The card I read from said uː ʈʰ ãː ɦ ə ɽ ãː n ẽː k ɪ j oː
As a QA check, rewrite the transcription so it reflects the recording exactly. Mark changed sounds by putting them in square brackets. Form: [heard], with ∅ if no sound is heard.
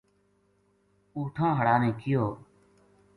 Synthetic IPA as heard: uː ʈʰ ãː ɦ ə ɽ [aː] n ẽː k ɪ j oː